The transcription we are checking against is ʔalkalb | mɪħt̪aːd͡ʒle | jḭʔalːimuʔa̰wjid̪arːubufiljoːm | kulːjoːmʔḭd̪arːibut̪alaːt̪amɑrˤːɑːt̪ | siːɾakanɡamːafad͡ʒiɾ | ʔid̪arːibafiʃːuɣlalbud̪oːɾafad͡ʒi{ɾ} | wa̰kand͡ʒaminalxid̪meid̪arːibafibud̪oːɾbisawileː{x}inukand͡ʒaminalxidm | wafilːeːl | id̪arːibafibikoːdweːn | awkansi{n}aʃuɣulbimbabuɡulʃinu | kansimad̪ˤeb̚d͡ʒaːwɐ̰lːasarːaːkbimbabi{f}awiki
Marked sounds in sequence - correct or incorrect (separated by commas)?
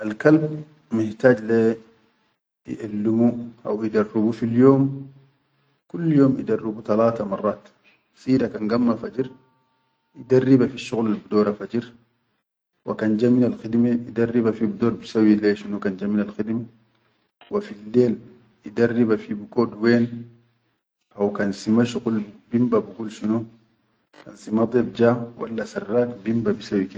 correct, incorrect, incorrect, incorrect